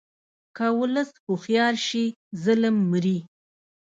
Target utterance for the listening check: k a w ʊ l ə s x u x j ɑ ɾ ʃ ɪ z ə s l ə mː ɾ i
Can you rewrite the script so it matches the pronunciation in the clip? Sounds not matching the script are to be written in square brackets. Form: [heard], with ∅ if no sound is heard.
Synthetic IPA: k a w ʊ l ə s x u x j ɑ ɾ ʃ [i] z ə [∅] l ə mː ɾ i